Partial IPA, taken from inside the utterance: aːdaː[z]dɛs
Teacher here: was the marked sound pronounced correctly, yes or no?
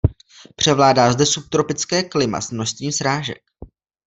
yes